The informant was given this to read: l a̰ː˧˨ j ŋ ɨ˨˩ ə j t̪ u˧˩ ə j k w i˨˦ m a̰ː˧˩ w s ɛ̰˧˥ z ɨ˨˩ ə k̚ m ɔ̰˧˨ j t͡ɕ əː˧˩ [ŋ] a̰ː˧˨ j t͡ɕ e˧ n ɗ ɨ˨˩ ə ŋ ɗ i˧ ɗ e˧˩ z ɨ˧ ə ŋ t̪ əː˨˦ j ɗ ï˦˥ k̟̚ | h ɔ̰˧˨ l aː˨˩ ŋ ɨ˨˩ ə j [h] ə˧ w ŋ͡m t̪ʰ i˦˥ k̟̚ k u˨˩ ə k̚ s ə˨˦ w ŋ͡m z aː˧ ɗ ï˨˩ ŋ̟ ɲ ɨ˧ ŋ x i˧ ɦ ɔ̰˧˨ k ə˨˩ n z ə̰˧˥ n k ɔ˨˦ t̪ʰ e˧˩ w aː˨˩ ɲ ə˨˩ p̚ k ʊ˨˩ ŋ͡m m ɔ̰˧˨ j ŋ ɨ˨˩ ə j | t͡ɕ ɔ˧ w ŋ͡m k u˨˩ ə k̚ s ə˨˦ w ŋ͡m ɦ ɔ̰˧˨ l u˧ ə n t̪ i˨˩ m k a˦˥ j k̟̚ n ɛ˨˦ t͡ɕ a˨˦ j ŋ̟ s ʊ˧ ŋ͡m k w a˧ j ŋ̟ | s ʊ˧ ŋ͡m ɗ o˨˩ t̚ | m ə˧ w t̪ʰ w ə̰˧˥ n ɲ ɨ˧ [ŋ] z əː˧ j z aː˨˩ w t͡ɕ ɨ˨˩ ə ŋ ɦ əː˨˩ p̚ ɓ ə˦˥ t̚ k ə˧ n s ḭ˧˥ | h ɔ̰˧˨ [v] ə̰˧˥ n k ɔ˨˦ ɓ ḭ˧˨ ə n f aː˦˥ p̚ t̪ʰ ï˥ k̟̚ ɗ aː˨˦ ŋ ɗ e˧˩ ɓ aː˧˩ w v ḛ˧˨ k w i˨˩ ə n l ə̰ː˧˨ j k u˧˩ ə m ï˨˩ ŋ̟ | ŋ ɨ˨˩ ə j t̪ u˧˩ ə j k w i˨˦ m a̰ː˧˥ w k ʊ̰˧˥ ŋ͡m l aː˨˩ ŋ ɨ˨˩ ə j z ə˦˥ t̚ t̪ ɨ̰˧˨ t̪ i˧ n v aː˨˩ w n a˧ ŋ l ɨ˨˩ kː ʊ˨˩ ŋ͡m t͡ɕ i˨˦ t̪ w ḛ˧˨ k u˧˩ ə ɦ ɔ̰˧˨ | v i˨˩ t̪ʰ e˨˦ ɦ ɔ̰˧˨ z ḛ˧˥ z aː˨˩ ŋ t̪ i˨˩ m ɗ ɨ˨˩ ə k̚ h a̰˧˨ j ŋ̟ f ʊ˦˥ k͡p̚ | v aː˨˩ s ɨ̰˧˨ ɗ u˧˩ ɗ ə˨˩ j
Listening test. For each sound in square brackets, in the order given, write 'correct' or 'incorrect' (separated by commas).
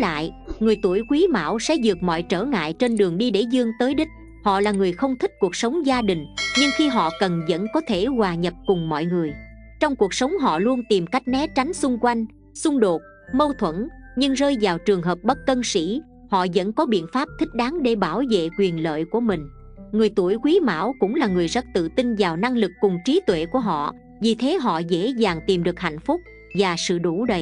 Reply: correct, incorrect, correct, incorrect